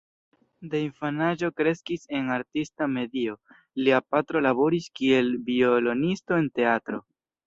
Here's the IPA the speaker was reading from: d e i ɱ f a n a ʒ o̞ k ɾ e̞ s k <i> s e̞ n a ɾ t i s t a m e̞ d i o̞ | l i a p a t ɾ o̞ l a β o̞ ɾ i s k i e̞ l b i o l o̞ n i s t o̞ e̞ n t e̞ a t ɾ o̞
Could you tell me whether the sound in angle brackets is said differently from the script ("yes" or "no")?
no